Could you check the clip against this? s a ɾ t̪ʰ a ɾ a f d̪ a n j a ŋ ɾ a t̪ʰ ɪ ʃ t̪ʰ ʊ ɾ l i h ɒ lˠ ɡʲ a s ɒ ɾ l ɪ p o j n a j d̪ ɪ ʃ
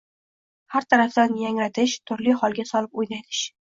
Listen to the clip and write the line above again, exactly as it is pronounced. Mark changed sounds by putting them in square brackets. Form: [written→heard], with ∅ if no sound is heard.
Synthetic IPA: [s→h] a ɾ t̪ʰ a ɾ a f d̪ a n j a ŋ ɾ a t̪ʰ ɪ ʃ t̪ʰ ʊ ɾ l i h ɒ lˠ ɡʲ a s ɒ [ɾ→∅] l ɪ p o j n a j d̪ ɪ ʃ